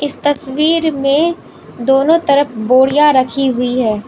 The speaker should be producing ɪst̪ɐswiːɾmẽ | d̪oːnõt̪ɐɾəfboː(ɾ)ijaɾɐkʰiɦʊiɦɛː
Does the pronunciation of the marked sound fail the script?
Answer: yes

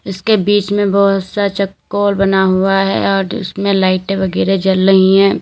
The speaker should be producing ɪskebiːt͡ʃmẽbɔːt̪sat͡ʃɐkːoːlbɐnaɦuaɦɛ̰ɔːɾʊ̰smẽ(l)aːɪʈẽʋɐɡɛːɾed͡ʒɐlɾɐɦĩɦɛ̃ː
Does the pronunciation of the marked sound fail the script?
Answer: no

